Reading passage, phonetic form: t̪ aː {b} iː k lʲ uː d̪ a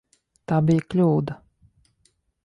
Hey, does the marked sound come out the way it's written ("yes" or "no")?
yes